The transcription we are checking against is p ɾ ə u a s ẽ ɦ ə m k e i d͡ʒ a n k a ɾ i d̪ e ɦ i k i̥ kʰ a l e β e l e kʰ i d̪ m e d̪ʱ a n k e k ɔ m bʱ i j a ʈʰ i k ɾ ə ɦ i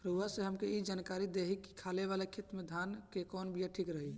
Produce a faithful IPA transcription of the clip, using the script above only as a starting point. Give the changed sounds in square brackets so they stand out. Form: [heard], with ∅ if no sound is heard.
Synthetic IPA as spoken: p ɾ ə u a s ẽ ɦ ə m k e i d͡ʒ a n k a ɾ i d̪ e ɦ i k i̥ kʰ a l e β [a] l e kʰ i [t̪] m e d̪ʱ a n k e k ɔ [n] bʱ i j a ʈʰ i k ɾ ə ɦ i

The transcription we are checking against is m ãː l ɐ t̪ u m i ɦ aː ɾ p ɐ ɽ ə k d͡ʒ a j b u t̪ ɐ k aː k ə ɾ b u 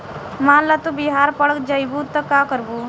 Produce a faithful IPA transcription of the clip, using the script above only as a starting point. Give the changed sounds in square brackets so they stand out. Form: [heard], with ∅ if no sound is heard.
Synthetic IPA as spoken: m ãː l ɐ t̪ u [b] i ɦ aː ɾ p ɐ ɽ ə k d͡ʒ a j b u t̪ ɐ k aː k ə ɾ b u

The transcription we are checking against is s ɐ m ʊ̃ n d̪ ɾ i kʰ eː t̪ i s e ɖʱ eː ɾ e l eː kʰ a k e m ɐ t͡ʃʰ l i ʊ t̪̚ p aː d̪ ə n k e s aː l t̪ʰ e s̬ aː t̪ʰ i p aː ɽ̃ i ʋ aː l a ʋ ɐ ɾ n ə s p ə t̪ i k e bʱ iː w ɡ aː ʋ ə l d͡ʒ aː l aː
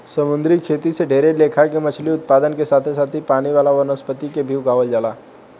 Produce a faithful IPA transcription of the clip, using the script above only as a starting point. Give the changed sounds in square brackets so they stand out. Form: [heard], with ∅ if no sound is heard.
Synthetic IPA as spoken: s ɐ m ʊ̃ n d̪ ɾ i kʰ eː t̪ i s e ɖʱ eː ɾ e l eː kʰ a k e m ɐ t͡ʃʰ l i ʊ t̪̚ p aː d̪ ə n k e s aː [∅] t̪ʰ e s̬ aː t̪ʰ i p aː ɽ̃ i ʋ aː l a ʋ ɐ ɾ n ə s p ə t̪ i k e bʱ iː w ɡ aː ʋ ə l d͡ʒ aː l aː

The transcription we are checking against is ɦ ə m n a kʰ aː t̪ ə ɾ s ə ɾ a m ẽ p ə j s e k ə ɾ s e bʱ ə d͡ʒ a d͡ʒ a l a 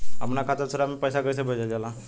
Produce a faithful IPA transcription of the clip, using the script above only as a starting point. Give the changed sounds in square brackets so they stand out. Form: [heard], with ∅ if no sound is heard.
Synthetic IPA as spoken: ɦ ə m n a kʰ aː t̪ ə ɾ s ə ɾ a m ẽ p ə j s [a] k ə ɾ s e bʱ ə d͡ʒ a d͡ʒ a l a

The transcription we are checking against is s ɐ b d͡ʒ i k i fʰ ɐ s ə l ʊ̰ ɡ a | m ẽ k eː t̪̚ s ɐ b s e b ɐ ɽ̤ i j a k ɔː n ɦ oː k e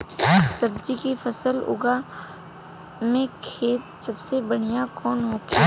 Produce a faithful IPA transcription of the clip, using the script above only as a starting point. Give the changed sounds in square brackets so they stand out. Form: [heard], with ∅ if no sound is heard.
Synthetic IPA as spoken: s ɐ b d͡ʒ i k i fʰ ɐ s ə l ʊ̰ ɡ a | m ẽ [kʰ] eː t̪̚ s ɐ b s e b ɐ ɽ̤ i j a k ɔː n ɦ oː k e

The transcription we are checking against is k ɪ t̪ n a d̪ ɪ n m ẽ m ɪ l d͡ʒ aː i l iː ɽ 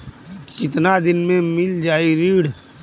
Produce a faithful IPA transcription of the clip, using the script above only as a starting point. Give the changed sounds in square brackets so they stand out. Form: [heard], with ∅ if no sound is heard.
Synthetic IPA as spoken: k ɪ t̪ n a d̪ ɪ n m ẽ m ɪ l d͡ʒ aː i [ɾ] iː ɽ

